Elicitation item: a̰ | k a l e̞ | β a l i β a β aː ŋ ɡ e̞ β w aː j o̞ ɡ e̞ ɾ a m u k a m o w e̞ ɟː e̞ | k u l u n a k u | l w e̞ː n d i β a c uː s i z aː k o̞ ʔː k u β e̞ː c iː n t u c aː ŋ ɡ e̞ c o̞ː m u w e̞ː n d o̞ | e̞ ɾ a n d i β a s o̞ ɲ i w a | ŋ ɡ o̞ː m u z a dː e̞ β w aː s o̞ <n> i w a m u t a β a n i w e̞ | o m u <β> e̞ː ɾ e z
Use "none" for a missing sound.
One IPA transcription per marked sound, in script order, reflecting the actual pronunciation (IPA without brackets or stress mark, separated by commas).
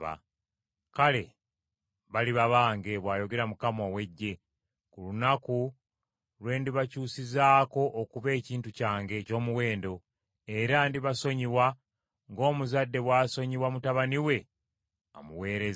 ɲ, w